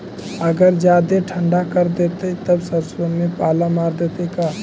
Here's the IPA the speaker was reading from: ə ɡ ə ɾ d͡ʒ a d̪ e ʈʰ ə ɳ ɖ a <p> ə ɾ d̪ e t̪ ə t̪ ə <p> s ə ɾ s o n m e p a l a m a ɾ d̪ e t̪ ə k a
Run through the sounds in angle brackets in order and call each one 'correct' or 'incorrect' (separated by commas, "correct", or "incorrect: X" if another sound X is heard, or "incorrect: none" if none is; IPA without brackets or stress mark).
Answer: incorrect: k, incorrect: b